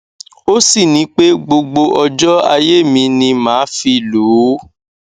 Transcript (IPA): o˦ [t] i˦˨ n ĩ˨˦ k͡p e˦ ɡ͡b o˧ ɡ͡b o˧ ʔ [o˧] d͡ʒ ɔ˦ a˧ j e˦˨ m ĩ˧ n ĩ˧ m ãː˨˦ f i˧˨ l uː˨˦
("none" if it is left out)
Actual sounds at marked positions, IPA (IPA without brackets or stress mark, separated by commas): s, ɔ˧